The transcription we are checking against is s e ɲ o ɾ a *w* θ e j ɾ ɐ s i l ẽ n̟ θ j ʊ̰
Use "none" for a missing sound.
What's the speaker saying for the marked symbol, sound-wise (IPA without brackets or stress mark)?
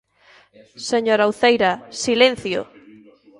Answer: w